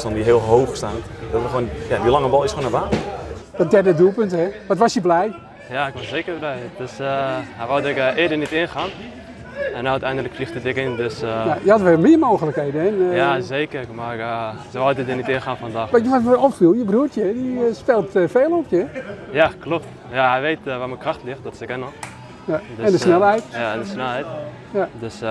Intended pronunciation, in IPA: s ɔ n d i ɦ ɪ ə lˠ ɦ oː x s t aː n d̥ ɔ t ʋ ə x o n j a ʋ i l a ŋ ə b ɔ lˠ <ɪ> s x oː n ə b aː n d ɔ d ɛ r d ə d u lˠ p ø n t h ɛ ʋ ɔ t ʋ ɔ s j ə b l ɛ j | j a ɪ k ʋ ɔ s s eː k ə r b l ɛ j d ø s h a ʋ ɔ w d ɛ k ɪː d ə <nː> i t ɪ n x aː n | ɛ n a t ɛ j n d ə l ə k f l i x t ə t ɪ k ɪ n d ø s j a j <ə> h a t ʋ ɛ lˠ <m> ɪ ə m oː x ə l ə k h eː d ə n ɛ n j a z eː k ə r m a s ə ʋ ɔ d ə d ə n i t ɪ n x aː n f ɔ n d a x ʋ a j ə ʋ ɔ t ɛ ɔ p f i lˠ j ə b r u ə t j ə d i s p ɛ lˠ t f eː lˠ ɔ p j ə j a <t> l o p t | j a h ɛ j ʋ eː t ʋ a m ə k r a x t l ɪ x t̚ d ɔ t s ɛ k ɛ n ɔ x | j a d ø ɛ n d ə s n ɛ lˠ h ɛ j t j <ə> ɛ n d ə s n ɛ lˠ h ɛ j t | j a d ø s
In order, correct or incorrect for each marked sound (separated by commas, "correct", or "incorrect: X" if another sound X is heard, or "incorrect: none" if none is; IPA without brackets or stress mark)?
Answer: correct, incorrect: n, correct, correct, incorrect: k, incorrect: a